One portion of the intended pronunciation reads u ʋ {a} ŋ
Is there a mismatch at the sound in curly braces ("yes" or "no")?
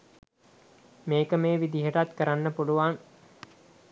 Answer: no